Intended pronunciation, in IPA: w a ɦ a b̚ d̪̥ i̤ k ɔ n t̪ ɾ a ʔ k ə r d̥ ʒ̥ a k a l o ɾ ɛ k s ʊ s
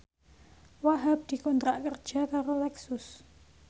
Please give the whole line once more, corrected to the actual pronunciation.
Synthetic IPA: w a ɦ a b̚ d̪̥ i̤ k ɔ n t̪ ɾ a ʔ k ə r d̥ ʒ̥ a k a ɾ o l ɛ k s ʊ s

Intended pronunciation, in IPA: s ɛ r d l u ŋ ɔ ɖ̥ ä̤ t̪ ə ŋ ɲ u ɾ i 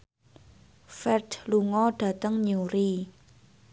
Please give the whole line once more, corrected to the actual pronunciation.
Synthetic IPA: f ɛ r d l u ŋ ɔ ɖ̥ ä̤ t̪ ə ŋ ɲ u ɾ i

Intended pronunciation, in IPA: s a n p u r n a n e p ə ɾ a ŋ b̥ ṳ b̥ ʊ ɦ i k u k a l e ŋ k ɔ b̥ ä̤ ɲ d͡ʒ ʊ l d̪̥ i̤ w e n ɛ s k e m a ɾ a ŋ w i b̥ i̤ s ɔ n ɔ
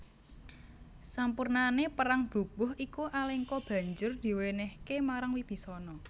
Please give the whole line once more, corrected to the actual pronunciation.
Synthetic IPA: s a m p u r n a n e p ə ɾ a ŋ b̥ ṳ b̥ ʊ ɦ i k u ʔ a l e ŋ k ɔ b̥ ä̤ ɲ d͡ʒ ʊ r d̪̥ i̤ w e n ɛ h k e m a ɾ a ŋ w i b̥ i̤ s ɔ n ɔ

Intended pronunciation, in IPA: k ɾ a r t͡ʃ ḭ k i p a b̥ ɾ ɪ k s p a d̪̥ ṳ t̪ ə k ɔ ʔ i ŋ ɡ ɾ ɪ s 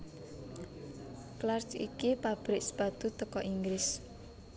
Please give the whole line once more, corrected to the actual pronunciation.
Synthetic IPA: k l a r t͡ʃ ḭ k i p a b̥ ɾ ɪ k s p a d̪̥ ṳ t̪ ə k ɔ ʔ i ŋ ɡ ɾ ɪ s

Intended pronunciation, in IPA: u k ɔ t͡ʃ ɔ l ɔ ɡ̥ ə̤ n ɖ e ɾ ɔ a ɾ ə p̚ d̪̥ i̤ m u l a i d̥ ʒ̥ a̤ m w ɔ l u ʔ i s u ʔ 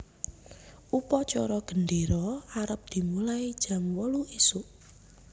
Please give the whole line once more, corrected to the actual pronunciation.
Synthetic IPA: u p ɔ t͡ʃ ɔ ɾ ɔ ɡ̥ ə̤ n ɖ e ɾ ɔ a ɾ ə p̚ d̪̥ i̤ m u l a i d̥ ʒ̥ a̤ m w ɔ l u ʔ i s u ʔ

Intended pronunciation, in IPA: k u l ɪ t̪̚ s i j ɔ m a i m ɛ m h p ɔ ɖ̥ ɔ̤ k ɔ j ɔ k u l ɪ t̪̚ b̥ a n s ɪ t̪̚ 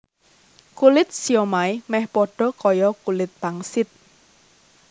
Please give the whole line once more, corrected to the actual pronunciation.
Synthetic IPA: k u l ɪ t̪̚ s i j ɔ m a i m ɛ h p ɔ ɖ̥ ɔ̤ k ɔ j ɔ k u l ɪ t̪̚ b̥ a ŋ s ɪ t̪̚

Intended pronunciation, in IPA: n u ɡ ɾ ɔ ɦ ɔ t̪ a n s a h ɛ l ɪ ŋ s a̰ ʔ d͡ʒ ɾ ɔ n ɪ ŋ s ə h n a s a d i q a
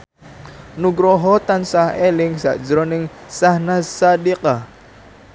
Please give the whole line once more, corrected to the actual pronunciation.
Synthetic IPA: n u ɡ ɾ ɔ ɦ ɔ t̪ a n s a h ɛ l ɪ ŋ s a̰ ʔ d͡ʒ ɾ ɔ n ɪ ŋ s a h n a s a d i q a

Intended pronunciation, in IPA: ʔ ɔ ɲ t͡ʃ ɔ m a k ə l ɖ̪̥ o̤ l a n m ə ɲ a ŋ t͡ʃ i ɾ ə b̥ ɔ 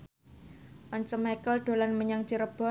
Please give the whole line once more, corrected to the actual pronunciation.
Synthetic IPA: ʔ ɔ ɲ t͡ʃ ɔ m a k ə l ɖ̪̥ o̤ l a n m ə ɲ a ŋ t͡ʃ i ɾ ə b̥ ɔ

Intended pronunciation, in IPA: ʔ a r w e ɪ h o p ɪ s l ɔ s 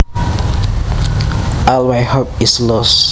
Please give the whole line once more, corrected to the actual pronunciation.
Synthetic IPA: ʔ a l w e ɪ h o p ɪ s l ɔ s

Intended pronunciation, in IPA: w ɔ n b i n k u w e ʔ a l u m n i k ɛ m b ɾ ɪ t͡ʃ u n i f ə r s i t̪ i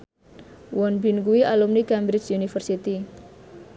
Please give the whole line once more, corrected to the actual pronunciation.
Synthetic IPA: w ɔ n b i n k u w i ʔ a l u m n i k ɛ m b ɾ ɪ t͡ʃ u n i f ə r s i t̪ i

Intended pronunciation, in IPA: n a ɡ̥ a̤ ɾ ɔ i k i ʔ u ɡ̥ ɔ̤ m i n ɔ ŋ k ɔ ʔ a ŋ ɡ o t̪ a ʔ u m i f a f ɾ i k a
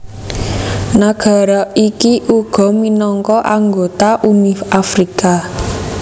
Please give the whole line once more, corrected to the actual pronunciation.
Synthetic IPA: n a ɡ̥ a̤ ɾ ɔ i k i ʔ u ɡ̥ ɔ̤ m i n ɔ ŋ k ɔ ʔ a ŋ ɡ o t̪ a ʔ u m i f a f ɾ i k a

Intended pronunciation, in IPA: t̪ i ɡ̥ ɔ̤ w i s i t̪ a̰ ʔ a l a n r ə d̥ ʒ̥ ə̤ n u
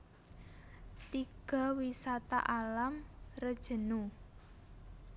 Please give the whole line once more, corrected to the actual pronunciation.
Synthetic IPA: t̪ i ɡ̥ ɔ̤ w i s a t̪ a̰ ʔ a l a m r ə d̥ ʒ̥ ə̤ n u

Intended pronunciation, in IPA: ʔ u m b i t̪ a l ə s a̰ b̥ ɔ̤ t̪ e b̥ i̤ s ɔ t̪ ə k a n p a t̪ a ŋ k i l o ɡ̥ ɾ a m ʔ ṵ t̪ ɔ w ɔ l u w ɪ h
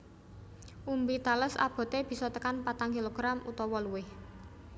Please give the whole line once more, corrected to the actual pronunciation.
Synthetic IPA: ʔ u m b i t̪ a l ə s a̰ b̥ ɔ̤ t̪ e b̥ i̤ s ɔ t̪ ə k a n p a t̪ a ŋ k i l o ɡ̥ ɾ a m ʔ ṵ t̪ ɔ w ɔ l u w ɪ h

